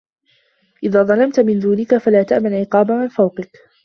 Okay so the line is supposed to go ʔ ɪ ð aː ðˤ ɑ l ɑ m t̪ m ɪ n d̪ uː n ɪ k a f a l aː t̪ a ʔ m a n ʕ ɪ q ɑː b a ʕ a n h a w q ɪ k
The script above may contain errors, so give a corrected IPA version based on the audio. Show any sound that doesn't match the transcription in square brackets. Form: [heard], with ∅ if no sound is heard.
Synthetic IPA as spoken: ʔ ɪ ð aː ðˤ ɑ l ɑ m t̪ m ɪ n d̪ uː n ɪ k a f a l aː t̪ a ʔ m a n ʕ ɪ q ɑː b a ʕ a n [f] a w q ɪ k